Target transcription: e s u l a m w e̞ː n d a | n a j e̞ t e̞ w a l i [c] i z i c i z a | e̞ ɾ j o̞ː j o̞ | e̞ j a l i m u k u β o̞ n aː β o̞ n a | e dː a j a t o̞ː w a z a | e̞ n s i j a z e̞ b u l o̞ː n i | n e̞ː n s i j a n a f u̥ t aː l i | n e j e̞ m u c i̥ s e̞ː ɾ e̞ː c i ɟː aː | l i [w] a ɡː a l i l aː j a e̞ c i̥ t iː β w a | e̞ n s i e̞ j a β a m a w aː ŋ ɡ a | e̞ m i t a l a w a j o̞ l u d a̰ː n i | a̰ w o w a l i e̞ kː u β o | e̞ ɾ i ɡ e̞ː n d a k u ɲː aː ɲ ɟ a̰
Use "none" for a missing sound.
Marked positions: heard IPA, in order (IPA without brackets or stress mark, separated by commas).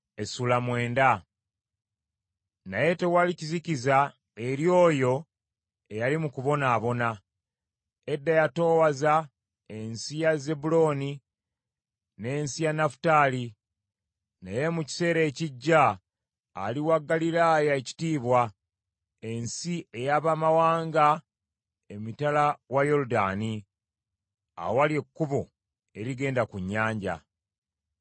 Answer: c, w